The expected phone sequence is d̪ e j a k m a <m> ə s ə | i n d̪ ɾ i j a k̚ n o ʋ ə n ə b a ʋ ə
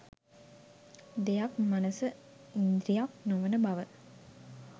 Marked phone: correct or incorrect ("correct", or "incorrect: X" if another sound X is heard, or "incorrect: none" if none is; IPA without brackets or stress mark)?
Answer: incorrect: n